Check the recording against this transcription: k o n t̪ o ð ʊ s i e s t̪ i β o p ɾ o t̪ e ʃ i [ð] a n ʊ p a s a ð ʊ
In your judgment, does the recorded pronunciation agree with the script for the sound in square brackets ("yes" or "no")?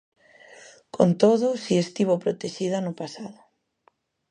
yes